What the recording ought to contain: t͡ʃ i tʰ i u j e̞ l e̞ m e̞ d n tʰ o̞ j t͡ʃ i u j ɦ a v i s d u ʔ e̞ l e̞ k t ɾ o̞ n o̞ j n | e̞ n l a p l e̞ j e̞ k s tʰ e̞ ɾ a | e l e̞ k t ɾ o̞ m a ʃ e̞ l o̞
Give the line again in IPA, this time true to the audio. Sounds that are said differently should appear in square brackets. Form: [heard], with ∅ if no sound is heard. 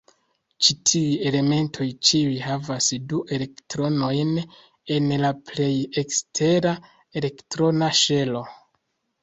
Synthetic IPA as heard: t͡ʃ i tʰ i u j e̞ l e̞ m e̞ [∅] n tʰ o̞ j t͡ʃ i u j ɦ a v [a] s d u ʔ e̞ l e̞ k t ɾ o̞ n o̞ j n | e̞ n l a p l e̞ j e̞ k s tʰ e̞ ɾ a | e l e̞ k t ɾ o̞ [n] a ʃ e̞ l o̞